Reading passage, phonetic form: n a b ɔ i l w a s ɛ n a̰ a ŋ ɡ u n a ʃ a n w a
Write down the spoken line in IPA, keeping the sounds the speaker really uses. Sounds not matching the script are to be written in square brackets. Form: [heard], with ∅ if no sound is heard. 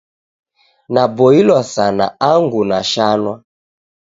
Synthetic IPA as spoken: n a b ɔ i l w a s [a] n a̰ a ŋ ɡ u n a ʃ a n w a